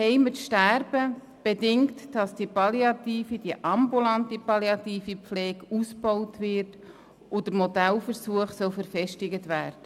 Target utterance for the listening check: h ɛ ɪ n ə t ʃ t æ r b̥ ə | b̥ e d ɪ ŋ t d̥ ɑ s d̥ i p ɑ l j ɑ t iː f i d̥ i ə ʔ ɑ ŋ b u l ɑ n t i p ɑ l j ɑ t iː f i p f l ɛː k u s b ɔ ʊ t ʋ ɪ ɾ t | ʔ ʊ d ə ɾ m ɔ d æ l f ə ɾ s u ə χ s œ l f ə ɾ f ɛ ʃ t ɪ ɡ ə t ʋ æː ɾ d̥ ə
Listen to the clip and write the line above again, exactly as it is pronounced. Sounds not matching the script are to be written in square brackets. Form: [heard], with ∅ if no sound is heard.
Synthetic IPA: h ɛ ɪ [m] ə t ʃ t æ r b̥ ə | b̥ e d ɪ ŋ t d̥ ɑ s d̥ i p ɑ l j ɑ t iː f i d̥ i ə ʔ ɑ [m] b u l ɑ n t i p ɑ l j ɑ t iː f i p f l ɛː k u s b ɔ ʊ t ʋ ɪ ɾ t | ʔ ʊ d ə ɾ m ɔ d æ l f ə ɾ s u ə χ s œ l f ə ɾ f ɛ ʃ t ɪ ɡ ə t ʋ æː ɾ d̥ ə